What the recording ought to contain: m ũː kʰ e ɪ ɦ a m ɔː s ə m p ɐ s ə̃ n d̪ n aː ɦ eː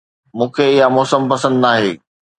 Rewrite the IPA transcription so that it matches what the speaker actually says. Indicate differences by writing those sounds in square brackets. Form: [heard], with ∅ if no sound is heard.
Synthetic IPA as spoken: m ũː kʰ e ɪ ɦ a m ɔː s ə m p ɐ s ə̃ n d̪ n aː ɦ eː